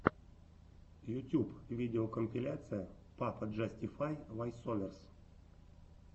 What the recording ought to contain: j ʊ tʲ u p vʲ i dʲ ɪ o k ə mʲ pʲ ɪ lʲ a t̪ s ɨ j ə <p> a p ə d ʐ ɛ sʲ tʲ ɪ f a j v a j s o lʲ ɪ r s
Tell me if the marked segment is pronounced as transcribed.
yes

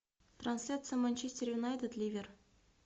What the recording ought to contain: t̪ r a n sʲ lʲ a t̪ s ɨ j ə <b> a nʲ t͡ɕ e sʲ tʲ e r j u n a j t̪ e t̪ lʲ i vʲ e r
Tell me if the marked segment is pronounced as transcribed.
no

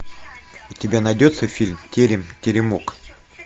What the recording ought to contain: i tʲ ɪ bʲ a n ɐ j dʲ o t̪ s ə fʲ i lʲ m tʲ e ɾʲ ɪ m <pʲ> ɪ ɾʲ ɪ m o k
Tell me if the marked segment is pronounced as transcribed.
no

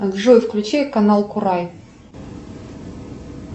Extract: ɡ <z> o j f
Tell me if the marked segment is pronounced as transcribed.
no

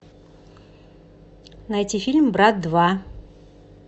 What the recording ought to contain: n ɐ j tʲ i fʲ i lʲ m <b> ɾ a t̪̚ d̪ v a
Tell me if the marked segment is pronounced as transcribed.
yes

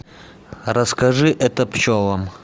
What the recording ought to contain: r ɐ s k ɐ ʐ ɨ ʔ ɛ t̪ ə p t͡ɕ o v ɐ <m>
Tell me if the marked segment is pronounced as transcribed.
yes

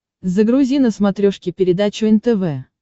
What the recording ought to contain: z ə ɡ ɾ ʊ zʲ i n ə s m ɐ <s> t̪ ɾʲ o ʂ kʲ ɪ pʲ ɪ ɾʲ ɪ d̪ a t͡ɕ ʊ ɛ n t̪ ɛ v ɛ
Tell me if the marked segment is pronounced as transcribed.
no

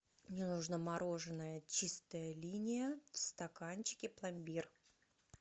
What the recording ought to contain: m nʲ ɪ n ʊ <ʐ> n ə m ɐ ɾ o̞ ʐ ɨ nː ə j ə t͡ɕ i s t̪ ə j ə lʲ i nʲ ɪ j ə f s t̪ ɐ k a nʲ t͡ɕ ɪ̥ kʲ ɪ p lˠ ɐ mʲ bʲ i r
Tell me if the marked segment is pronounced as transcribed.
yes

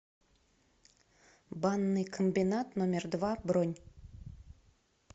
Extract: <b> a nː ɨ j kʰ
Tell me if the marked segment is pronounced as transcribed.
yes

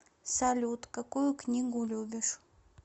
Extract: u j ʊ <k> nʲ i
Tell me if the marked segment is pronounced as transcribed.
yes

